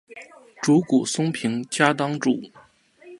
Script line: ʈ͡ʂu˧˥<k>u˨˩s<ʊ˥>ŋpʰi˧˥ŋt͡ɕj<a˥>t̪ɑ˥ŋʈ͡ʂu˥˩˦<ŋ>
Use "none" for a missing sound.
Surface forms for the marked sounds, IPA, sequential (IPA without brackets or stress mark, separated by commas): k, ʊ˥, a˥, none